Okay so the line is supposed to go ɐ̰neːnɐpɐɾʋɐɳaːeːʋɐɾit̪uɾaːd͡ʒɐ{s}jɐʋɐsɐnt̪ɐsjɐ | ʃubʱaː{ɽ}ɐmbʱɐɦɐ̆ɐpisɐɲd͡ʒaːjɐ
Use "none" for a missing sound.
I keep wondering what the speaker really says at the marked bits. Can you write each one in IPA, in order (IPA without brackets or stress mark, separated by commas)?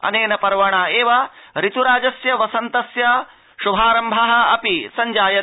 s, ɾ